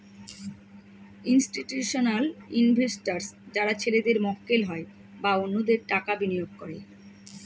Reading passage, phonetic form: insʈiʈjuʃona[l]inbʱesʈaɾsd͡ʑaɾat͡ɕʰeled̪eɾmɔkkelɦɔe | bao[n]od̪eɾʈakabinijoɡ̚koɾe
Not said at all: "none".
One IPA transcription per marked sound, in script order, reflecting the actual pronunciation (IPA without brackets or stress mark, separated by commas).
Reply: l, nː